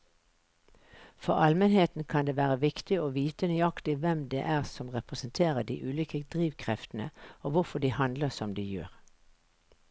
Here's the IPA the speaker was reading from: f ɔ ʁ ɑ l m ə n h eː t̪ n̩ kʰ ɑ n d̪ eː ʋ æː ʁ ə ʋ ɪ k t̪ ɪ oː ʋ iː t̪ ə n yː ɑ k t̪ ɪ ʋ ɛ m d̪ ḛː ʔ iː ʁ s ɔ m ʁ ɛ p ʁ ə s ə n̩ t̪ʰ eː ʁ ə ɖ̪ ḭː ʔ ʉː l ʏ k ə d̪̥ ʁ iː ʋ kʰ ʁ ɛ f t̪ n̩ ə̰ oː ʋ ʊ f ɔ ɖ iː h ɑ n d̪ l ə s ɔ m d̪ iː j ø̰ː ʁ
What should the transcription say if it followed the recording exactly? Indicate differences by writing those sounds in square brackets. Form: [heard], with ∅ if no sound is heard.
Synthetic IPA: f ɔ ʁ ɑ l m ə n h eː t̪ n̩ kʰ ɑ n d̪ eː ʋ æː ʁ ə ʋ ɪ k t̪ ɪ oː ʋ iː t̪ ə n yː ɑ k t̪ ɪ ʋ ɛ m d̪ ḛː ʔ [æː] ʁ s ɔ m ʁ ɛ p ʁ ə s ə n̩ t̪ʰ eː ʁ ə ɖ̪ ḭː ʔ ʉː l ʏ k ə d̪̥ ʁ iː ʋ kʰ ʁ ɛ f t̪ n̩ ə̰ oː ʋ ʊ f ɔ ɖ iː h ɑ n d̪ l ə s ɔ m d̪ iː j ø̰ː ʁ